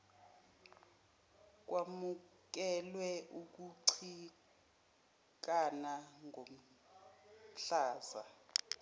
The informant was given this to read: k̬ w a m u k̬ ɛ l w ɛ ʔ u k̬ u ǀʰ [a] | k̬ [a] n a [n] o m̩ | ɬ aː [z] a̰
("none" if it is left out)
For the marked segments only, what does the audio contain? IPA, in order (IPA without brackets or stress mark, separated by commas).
i, a, ŋ, z